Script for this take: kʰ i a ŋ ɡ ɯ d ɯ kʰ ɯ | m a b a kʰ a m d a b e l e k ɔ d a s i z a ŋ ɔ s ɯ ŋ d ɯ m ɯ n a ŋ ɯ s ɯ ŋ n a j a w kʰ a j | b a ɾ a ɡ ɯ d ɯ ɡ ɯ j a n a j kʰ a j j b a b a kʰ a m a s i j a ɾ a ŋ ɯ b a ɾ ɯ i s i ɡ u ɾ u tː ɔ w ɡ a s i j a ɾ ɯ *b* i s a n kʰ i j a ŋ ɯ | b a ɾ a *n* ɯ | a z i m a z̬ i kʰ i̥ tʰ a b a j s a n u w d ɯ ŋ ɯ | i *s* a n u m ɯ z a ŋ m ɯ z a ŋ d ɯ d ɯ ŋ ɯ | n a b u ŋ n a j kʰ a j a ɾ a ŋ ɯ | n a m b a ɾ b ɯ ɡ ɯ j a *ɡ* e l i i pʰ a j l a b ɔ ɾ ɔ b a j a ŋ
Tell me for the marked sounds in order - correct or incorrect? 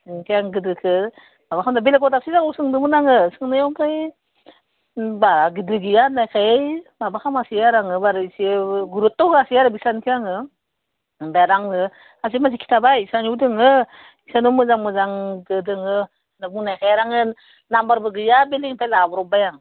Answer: correct, incorrect: ŋ, correct, incorrect: b

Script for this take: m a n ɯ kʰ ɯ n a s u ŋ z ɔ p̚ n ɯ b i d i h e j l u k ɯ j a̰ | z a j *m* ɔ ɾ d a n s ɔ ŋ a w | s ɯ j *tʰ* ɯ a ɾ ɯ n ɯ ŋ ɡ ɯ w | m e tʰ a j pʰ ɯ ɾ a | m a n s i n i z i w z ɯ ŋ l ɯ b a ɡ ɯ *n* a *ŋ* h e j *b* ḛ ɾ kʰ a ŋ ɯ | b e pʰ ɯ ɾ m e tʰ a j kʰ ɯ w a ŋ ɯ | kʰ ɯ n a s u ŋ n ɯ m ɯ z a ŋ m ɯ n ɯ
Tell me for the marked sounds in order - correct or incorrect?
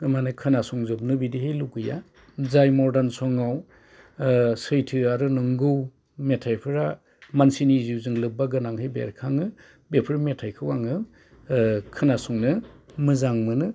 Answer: correct, correct, correct, correct, correct

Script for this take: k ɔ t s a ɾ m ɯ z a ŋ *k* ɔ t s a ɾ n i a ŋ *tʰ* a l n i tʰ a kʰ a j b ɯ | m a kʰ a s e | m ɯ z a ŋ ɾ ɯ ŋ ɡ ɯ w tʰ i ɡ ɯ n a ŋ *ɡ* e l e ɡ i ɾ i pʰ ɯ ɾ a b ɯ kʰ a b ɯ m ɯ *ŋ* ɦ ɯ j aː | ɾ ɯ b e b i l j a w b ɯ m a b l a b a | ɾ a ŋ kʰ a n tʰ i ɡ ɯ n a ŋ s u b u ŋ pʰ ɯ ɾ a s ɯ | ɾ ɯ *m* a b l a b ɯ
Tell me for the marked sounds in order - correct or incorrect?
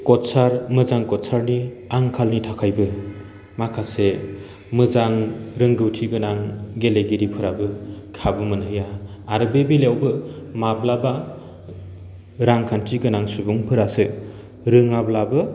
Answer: correct, incorrect: kʰ, correct, incorrect: n, incorrect: ŋ

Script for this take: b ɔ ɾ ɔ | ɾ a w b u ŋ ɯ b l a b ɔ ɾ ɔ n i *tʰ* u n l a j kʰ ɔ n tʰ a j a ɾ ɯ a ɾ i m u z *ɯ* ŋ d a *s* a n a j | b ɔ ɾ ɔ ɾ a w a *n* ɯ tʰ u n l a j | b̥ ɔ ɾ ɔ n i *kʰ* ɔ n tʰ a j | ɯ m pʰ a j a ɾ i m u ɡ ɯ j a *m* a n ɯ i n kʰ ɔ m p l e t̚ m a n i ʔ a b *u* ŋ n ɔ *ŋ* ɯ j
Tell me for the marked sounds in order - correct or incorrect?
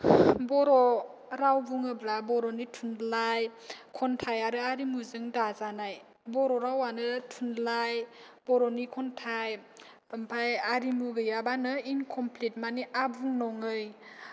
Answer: correct, correct, incorrect: z, correct, correct, incorrect: b, correct, correct

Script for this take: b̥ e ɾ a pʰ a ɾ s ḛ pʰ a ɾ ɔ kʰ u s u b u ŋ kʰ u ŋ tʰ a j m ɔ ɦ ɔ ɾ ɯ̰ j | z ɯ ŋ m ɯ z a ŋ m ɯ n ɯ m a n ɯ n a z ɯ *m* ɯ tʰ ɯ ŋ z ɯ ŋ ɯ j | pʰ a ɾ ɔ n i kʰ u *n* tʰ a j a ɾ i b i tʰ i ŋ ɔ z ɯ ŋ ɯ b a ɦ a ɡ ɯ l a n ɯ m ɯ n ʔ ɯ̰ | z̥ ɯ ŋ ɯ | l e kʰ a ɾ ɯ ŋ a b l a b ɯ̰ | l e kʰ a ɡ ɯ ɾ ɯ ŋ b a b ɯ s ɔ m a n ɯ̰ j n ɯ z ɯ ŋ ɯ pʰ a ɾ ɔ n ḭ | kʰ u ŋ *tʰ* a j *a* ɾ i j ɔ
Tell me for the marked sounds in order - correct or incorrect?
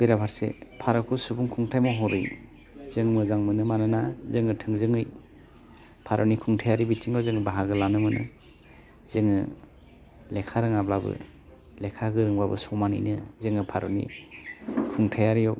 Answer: incorrect: ŋ, incorrect: ŋ, correct, correct

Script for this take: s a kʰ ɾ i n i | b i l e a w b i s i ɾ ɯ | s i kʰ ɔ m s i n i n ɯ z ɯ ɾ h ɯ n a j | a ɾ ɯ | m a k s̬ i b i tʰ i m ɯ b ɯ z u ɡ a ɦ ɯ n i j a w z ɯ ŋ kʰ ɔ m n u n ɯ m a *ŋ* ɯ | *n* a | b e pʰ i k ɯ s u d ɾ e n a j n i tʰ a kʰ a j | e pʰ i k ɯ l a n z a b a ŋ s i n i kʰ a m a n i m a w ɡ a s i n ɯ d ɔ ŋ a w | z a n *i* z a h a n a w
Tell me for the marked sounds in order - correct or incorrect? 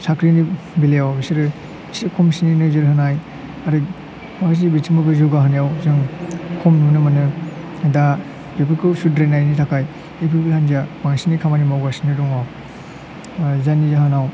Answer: incorrect: n, incorrect: d, correct

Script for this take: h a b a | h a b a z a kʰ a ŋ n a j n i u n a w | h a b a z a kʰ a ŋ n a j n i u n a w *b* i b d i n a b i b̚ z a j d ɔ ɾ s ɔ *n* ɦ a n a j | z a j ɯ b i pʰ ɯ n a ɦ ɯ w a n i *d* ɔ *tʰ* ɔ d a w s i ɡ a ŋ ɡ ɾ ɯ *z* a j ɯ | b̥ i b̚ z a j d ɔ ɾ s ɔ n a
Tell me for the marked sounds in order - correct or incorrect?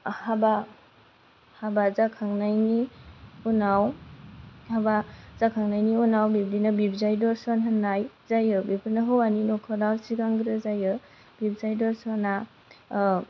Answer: correct, correct, incorrect: n, incorrect: kʰ, correct

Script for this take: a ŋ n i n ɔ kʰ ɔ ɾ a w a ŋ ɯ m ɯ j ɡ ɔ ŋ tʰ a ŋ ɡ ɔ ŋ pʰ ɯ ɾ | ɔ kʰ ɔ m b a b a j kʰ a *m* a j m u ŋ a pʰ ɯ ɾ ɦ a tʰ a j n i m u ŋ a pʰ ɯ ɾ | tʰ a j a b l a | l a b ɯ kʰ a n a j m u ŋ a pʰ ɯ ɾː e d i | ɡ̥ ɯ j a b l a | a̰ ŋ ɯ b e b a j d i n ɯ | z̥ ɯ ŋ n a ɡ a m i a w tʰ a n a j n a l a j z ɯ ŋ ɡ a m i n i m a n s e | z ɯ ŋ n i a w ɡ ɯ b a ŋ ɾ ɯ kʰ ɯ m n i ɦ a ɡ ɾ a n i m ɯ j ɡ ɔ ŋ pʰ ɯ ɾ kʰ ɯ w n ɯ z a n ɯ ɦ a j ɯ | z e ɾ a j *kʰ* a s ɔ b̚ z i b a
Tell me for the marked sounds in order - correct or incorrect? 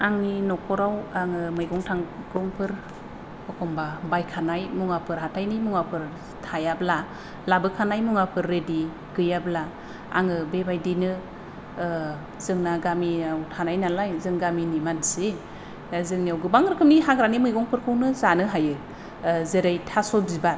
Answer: incorrect: n, incorrect: tʰ

